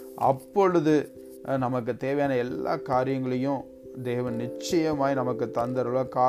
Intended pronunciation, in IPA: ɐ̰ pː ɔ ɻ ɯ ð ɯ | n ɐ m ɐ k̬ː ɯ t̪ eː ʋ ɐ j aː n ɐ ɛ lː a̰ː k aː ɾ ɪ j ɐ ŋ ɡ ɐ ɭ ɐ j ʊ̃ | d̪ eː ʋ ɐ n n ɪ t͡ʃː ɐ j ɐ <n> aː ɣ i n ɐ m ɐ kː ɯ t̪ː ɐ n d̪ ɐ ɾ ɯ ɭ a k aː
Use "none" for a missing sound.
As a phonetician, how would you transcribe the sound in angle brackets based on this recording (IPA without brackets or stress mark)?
m